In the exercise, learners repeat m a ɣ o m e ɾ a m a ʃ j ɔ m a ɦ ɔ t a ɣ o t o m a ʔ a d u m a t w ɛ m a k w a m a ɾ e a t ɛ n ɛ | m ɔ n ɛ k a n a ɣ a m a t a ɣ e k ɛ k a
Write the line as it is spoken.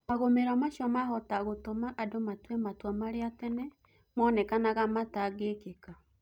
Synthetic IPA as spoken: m a ɣ o m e ɾ a m a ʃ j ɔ m a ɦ ɔ t a ɣ o t o m a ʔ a d o m a t w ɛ m a t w a m a ɾ e a t ɛ n ɛ | m ɔ n ɛ k a n a ɣ a m a t a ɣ e k e k a